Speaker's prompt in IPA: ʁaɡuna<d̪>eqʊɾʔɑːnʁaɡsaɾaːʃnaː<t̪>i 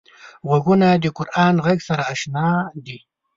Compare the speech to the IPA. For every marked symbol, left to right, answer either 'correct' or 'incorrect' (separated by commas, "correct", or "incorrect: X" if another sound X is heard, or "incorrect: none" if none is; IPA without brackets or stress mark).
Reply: correct, incorrect: d̪